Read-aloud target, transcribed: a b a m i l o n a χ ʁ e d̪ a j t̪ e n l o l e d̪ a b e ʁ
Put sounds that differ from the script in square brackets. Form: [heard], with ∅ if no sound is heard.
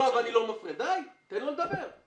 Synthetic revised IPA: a [v] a [n] i l o [m] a [f] ʁ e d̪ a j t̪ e n l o l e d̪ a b e ʁ